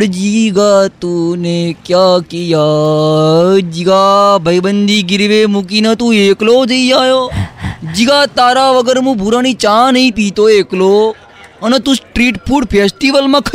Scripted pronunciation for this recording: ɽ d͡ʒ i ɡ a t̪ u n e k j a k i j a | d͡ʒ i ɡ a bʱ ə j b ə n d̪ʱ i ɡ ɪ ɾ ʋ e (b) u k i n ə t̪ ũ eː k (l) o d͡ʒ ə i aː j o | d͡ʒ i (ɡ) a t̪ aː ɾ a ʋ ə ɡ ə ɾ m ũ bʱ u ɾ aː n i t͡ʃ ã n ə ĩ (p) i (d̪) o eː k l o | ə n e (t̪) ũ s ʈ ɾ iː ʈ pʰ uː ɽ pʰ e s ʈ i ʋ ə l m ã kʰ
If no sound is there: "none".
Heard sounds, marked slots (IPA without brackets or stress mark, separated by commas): m, l, ɡ, p, t̪, t̪